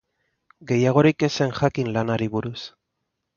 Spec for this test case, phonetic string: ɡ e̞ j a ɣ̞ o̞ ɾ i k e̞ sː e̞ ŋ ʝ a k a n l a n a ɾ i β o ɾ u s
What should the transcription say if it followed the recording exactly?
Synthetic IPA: ɡ e̞ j a ɣ̞ o̞ ɾ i k e̞ s e̞ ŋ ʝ a k i n l a n a ɾ i β u ɾ u s